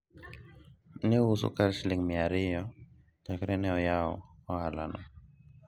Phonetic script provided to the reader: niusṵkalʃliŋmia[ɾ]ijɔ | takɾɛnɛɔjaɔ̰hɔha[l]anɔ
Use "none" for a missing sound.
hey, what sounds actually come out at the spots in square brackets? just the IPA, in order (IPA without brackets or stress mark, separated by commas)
ɾ, l